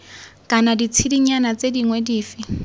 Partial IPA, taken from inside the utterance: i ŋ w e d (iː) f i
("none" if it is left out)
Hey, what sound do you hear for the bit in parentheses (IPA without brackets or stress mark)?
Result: iː